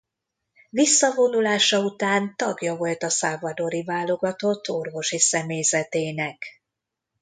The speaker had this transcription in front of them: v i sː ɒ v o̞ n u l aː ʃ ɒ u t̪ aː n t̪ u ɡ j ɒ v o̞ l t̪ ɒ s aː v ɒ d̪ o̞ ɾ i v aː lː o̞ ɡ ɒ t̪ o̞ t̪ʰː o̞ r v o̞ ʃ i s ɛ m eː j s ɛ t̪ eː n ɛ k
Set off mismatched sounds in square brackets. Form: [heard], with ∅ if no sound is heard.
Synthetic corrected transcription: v i sː ɒ v o̞ n u l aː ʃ ɒ u t̪ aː n t̪ [ɒ] ɡ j ɒ v o̞ l t̪ ɒ s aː v ɒ d̪ o̞ ɾ i v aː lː o̞ ɡ ɒ t̪ o̞ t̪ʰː o̞ r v o̞ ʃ i s ɛ m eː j [z] ɛ t̪ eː n ɛ k

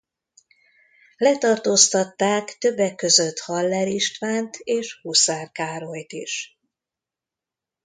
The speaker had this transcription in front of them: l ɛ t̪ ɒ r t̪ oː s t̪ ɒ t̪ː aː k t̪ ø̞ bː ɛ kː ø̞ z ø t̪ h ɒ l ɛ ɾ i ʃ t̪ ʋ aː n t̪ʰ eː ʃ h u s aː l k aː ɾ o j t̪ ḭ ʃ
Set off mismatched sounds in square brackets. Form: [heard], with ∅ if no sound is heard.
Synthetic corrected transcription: l ɛ t̪ ɒ r t̪ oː s t̪ ɒ t̪ː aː k t̪ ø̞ bː ɛ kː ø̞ z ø t̪ h ɒ [lː] ɛ ɾ i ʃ t̪ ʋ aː n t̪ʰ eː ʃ h u s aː [r] k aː ɾ o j t̪ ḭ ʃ

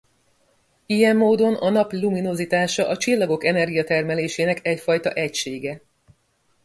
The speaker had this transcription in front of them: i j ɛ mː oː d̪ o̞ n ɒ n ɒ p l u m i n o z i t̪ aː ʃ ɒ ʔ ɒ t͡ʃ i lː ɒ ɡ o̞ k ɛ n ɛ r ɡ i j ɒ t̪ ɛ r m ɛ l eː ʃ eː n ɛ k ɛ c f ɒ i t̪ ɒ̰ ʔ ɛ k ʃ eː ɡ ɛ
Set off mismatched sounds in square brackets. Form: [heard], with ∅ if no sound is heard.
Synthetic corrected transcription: i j ɛ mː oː d̪ o̞ n ɒ n ɒ p l u m i n o z i t̪ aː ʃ ɒ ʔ ɒ t͡ʃ i lː ɒ ɡ o̞ k ɛ n ɛ r ɡ i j ɒ t̪ ɛ r m ɛ l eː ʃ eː n ɛ k ɛ c f ɒ [j] t̪ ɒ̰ ʔ ɛ [c] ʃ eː ɡ ɛ

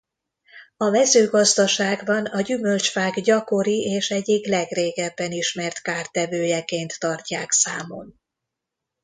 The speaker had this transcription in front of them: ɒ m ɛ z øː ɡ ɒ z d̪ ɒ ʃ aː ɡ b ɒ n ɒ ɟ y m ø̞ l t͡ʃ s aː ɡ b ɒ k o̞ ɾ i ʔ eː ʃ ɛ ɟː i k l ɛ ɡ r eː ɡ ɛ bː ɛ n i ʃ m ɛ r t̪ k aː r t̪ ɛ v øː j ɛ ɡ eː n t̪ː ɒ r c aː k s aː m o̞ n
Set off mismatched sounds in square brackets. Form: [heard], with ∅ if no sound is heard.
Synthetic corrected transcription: ɒ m ɛ z øː ɡ ɒ z d̪ ɒ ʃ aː ɡ b ɒ n ɒ ɟ y m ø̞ l t͡ʃ [f] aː ɡ [ɟ] ɒ k o̞ ɾ i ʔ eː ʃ ɛ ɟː i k l ɛ ɡ r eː ɡ ɛ bː ɛ n i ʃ m ɛ r t̪ k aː r t̪ ɛ v øː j ɛ [k] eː n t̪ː ɒ r c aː k s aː m o̞ n

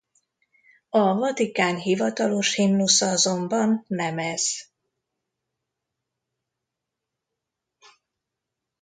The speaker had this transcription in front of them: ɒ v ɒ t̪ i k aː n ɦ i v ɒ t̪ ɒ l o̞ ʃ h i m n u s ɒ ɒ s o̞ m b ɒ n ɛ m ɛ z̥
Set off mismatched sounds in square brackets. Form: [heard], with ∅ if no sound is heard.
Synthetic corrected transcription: ɒ v ɒ t̪ i k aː n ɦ i v ɒ t̪ ɒ l o̞ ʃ h i m n u s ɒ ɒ [z] o̞ m b ɒ [nː] ɛ m ɛ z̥

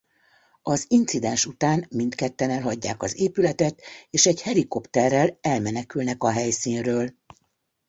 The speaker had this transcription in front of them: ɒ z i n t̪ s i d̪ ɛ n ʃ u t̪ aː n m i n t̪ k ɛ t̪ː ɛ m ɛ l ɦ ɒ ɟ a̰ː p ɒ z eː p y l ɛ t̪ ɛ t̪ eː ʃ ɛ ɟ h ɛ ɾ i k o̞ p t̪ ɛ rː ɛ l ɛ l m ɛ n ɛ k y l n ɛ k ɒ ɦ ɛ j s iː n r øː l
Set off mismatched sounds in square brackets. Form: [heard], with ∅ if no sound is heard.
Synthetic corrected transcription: ɒ z i n t̪ s i d̪ ɛ n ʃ u t̪ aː n m i n t̪ k ɛ t̪ː ɛ [n] ɛ l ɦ ɒ [ɟː] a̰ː [k] ɒ z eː p y l ɛ t̪ ɛ t̪ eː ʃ ɛ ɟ h ɛ ɾ i k o̞ p t̪ ɛ rː ɛ l ɛ l m ɛ n ɛ k y l n ɛ k ɒ ɦ ɛ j s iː n r øː l

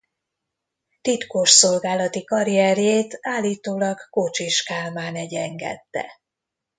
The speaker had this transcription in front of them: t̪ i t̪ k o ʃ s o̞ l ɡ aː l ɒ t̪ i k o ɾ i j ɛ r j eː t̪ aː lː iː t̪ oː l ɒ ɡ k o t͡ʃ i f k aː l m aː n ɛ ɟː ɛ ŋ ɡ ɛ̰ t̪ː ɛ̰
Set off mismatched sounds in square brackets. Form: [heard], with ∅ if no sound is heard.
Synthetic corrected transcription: t̪ i t̪ k o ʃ s o̞ l ɡ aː l ɒ t̪ i k [ɒ] ɾ i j ɛ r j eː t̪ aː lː iː t̪ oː l ɒ ɡ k o t͡ʃ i [ʃ] k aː l m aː n ɛ [ɟ] ɛ ŋ ɡ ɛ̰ t̪ː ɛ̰

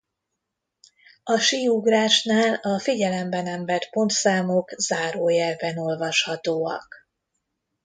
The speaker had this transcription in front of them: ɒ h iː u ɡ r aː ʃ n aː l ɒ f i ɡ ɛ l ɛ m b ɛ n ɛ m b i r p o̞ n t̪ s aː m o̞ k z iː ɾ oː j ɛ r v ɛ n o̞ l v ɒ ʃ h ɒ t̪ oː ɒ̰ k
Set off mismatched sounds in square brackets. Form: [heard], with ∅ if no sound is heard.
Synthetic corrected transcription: ɒ [ʃ] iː u ɡ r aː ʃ n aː l ɒ f i [ɟ] ɛ l ɛ m b ɛ n ɛ m b [ɛ] r p o̞ n t̪ s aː m o̞ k z [aː] ɾ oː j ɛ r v ɛ n o̞ l v ɒ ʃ h ɒ t̪ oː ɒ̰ k

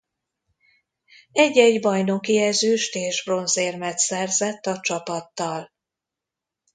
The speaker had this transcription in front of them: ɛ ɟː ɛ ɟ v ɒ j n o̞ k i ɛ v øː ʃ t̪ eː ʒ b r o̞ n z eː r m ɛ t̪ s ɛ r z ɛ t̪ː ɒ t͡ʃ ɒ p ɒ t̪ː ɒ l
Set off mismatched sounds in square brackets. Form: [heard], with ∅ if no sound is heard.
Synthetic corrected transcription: ɛ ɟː ɛ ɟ [b] ɒ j n o̞ k i ɛ [z] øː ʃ t̪ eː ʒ b r o̞ n z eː r m ɛ t̪ s ɛ r z ɛ t̪ː ɒ t͡ʃ ɒ p ɒ t̪ː ɒ l

